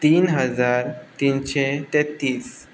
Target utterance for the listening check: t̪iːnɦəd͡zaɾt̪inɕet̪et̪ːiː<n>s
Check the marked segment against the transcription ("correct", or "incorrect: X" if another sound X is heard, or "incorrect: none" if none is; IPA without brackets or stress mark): incorrect: none